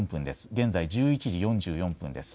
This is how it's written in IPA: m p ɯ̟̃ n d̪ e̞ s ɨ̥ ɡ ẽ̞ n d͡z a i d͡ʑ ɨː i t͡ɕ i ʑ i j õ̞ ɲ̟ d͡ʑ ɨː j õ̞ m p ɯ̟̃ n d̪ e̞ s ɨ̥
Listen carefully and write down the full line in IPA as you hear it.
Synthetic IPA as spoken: m p ɯ̟̃ n d̪ e̞ s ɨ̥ ɡ ẽ̞ n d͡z a i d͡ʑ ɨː i t͡ɕ i ʑ i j õ̞ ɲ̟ d͡ʑ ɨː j õ̞ m p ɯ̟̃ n d̪ e̞ s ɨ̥